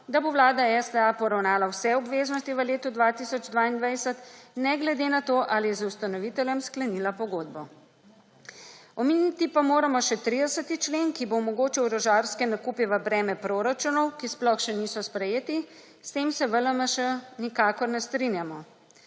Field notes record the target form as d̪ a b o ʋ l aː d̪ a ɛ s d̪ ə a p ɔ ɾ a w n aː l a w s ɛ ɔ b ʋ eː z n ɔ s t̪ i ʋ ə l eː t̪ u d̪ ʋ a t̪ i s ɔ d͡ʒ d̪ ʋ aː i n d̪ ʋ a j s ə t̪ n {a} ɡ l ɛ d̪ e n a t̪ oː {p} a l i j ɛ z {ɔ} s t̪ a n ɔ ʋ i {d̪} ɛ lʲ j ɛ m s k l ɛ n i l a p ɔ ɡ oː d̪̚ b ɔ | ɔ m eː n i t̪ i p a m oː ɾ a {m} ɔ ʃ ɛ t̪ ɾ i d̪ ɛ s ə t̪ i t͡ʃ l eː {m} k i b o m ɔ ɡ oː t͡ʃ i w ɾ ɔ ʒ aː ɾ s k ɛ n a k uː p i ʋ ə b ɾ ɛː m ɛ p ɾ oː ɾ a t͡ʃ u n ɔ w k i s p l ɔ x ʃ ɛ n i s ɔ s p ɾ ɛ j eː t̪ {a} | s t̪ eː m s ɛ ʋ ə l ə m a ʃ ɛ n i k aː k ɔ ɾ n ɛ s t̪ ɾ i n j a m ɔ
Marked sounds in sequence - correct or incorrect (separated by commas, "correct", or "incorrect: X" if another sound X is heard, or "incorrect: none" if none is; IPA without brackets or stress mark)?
incorrect: ɛ, incorrect: ʔ, incorrect: u, incorrect: t̪, correct, incorrect: n, incorrect: i